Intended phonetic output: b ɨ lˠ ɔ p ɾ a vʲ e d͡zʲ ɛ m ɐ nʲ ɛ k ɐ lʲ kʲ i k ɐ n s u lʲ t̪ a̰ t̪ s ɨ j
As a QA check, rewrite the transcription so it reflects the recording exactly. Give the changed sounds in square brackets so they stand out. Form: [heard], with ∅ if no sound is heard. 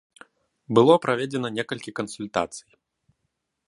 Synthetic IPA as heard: b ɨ lˠ ɔ p ɾ a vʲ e d͡zʲ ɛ [n] ɐ nʲ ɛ k ɐ lʲ kʲ i k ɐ n s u lʲ t̪ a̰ t̪ s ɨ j